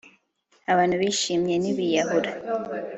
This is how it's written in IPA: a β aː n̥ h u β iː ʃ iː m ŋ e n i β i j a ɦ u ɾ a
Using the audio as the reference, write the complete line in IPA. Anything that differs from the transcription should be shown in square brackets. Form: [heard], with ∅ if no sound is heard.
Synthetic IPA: a β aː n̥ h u β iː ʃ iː m [ɲ] e n i β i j a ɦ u ɾ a

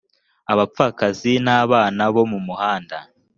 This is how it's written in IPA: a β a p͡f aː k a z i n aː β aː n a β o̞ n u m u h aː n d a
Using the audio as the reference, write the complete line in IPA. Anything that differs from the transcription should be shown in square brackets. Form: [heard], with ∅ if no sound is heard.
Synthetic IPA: a β a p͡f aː k a z i n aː β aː n a β o̞ [m] u m u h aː n d a

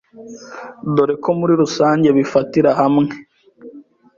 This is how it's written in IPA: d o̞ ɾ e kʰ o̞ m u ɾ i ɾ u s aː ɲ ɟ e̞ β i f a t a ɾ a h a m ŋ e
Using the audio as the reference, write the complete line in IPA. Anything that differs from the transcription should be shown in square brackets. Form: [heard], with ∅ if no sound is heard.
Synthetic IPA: d o̞ ɾ e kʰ o̞ m u ɾ i ɾ u s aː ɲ ɟ e̞ β i f a t [i] ɾ a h a m ŋ e

